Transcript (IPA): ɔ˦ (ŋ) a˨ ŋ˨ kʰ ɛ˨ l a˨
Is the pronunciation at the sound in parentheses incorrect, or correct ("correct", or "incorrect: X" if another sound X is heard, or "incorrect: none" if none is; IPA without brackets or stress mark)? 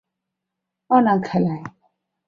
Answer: incorrect: n